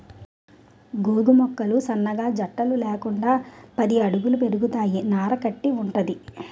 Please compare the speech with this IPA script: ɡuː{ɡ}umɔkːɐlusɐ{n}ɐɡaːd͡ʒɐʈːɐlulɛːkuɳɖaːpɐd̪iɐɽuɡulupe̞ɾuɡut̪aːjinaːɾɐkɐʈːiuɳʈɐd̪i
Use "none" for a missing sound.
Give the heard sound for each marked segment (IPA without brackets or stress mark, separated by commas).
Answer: ɡ, nː